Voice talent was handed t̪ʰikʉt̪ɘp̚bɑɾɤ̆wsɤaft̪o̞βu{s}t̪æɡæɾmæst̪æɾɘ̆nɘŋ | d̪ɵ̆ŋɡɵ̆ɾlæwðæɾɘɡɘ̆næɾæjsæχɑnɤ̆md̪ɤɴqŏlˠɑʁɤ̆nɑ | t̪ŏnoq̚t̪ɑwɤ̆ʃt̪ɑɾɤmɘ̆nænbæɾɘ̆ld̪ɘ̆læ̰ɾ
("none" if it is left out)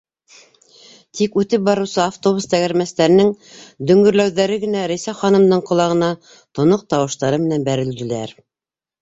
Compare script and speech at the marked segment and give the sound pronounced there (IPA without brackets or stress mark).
s